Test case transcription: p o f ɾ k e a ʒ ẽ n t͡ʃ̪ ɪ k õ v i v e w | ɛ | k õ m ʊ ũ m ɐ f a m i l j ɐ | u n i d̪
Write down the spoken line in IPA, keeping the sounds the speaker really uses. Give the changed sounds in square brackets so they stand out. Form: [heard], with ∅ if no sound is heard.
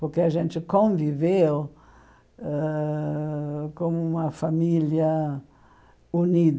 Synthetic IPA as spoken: p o [∅] ɾ k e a ʒ ẽ n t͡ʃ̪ ɪ k õ v i v e w | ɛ | k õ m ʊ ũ m ɐ f a m i l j ɐ | u n i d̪